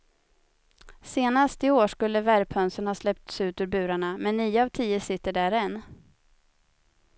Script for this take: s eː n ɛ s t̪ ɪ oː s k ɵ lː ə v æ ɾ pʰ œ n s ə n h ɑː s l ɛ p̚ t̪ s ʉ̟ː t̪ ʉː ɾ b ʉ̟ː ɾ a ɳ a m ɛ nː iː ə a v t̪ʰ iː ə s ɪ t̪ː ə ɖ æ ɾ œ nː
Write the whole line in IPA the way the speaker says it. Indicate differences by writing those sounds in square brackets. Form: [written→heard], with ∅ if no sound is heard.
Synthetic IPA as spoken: s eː n [ɛ→a] s t̪ ɪ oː [s→ʂ] k ɵ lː ə v æ ɾ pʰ œ n s ə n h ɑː s l ɛ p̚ t̪ s ʉ̟ː t̪ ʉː ɾ b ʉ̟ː ɾ a ɳ a m ɛ nː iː ə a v t̪ʰ iː ə s ɪ t̪ː ə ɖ æ ɾ [œ→ɛ] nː